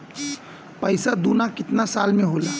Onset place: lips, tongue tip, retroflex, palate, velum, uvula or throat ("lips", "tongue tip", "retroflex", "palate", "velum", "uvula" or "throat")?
lips